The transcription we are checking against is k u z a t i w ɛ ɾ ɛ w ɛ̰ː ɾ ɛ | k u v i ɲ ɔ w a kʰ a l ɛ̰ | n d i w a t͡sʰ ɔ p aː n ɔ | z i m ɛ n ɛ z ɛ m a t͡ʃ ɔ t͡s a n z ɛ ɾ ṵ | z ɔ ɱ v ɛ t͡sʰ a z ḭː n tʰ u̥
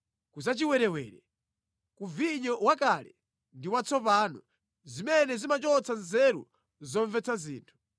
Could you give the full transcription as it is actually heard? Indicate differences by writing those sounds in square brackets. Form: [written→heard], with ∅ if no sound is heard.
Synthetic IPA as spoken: k u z a [t→t͡ʃ] i w ɛ ɾ ɛ w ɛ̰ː ɾ ɛ | k u v i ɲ ɔ w a [kʰ→k] a l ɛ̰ | n d i w a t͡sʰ ɔ p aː n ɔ | z i m ɛ n ɛ z [ɛ→i] m a t͡ʃ ɔ t͡s a n z ɛ ɾ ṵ | z ɔ ɱ v ɛ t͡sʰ a z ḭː n tʰ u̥